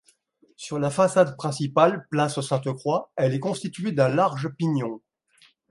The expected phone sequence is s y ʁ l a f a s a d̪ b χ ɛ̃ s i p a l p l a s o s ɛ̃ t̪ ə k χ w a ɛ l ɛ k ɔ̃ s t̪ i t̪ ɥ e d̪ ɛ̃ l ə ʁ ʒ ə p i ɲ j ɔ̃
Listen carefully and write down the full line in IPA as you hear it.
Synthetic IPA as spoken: s y ʁ l a f a s a d̪ p χ ɛ̃ s i p a l p l a s o s ɛ̃ t̪ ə k χ w a ɛ l ɛ k ɔ̃ s t̪ i t̪ ɥ e d̪ ɛ̃ l a ʁ ʒ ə p i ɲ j ɔ̃